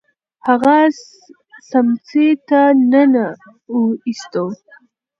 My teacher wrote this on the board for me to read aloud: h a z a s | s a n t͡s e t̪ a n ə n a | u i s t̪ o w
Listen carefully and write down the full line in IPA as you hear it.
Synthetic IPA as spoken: h a ɣ a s | s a m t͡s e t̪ a n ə n a | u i s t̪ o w